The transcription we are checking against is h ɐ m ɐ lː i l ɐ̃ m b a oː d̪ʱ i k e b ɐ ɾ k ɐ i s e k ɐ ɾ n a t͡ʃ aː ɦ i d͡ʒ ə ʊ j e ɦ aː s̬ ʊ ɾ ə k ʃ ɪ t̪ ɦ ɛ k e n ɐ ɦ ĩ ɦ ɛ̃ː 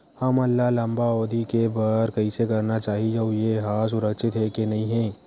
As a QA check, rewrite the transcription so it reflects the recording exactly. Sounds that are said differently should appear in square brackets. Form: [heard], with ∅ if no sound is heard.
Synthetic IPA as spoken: h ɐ m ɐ lː [a] l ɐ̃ m b a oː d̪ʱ i k e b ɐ ɾ k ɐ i s e k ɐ ɾ n a t͡ʃ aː ɦ i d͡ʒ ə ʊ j e ɦ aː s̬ ʊ ɾ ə k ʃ ɪ t̪ ɦ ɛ k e n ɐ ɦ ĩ ɦ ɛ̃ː